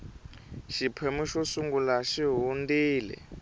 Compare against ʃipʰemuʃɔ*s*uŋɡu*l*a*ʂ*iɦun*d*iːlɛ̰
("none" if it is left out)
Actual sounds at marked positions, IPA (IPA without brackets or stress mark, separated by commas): s, l, ʃ, d